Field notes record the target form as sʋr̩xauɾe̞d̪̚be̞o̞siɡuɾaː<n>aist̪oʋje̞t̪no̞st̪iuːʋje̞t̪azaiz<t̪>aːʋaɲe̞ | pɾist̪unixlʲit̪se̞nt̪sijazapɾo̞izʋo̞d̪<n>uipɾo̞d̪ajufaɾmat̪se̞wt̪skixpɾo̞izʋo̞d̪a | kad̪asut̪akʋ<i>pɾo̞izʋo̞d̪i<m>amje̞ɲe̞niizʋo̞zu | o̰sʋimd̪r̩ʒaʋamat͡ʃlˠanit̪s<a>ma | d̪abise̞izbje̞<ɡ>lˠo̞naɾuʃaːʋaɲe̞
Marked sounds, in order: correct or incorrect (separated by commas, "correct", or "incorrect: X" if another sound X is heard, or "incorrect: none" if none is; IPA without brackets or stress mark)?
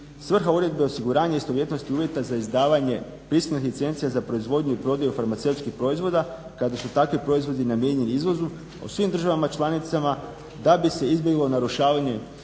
incorrect: ɲ, incorrect: d̪, incorrect: ɲ, correct, incorrect: n, correct, correct